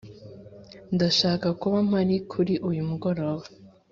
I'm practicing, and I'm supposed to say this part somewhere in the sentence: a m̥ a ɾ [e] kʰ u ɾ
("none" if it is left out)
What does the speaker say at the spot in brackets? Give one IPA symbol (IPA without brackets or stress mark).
i